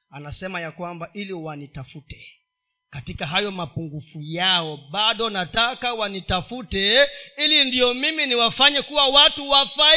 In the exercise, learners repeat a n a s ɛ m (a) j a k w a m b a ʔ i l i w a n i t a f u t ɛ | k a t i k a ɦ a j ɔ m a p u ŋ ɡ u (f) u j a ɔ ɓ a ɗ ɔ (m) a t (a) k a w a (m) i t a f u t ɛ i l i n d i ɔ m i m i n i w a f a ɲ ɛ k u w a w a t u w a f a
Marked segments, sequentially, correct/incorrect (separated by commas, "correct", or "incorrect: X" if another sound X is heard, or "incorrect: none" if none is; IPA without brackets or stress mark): correct, correct, incorrect: n, correct, incorrect: n